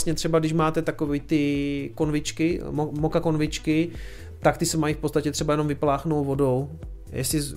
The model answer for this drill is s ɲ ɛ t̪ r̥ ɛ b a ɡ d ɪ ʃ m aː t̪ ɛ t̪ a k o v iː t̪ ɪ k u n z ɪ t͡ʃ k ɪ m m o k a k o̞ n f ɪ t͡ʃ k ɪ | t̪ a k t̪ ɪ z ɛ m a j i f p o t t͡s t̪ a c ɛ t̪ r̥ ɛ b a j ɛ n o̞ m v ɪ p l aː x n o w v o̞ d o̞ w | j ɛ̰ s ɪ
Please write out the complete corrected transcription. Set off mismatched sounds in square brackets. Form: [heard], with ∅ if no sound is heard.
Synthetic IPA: s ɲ ɛ t̪ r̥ ɛ b a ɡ d ɪ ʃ m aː t̪ ɛ t̪ a k o v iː t̪ ɪ k [o] n [v] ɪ t͡ʃ k ɪ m m o k a k o̞ n [v] ɪ t͡ʃ k ɪ | t̪ a k t̪ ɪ [s] ɛ m a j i f p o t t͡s t̪ a c ɛ t̪ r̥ ɛ b a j ɛ n o̞ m v ɪ p l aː x n o w v o̞ d o̞ w | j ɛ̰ s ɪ